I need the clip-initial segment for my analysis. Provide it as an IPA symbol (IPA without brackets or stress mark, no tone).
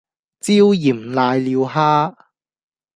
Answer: t͡s